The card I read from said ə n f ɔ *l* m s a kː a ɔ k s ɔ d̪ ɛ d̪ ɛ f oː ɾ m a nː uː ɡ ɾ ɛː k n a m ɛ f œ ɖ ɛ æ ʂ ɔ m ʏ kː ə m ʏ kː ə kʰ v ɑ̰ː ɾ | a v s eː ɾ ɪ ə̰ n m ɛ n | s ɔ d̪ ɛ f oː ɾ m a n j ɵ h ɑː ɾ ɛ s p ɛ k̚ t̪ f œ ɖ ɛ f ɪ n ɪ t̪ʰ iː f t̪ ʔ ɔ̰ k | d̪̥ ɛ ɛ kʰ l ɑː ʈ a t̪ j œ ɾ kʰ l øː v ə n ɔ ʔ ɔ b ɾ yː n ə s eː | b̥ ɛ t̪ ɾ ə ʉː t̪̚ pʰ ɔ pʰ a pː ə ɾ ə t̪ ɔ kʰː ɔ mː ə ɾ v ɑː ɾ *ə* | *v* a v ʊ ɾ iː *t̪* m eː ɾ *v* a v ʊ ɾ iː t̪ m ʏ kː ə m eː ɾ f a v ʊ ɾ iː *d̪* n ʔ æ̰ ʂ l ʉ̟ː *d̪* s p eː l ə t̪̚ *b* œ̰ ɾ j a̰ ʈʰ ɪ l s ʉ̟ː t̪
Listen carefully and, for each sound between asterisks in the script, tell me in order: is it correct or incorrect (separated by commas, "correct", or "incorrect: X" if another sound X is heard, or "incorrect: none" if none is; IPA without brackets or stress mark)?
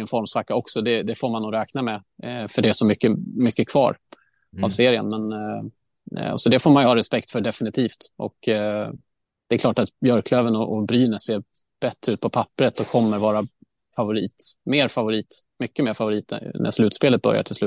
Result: incorrect: ɾ, incorrect: a, incorrect: f, correct, incorrect: f, incorrect: t̪, incorrect: t̪, correct